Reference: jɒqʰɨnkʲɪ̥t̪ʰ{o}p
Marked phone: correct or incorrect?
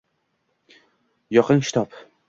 incorrect